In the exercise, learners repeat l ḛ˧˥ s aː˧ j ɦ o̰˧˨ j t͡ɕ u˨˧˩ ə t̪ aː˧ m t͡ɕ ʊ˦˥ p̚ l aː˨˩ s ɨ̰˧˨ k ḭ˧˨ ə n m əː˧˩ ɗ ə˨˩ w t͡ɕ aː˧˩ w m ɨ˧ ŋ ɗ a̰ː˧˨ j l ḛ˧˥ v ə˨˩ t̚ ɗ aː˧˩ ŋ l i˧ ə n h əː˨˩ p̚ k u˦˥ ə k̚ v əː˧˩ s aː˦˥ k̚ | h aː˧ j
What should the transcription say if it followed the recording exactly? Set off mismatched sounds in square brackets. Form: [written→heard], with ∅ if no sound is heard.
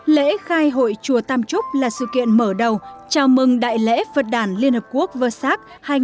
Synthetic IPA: l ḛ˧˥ [s→x] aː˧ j ɦ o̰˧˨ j t͡ɕ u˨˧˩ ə t̪ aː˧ m t͡ɕ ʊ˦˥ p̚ l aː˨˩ s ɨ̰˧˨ k ḭ˧˨ ə n m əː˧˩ ɗ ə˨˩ w t͡ɕ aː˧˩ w m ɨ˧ ŋ ɗ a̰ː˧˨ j l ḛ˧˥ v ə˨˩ t̚ ɗ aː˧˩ [ŋ→n] l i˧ ə n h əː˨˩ p̚ k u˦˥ ə k̚ v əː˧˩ s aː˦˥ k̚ | h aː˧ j